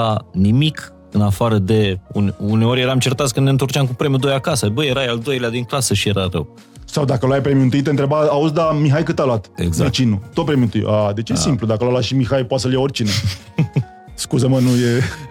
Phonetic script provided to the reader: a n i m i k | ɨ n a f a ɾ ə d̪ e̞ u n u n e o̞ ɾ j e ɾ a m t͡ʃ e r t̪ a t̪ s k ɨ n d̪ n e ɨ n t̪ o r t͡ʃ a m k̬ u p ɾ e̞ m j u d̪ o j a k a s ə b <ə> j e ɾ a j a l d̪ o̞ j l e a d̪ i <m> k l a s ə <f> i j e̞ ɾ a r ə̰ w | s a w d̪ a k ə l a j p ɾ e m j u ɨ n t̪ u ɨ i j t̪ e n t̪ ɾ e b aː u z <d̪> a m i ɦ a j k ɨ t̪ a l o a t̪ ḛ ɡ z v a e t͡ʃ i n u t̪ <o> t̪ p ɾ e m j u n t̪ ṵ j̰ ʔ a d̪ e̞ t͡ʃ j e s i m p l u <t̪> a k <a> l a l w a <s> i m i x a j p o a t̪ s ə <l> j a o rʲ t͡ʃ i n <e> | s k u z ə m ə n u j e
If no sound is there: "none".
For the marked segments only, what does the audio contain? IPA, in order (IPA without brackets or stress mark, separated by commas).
ə, ŋ, ʃ, d̪, o, d̪, ə, ʃ, l, e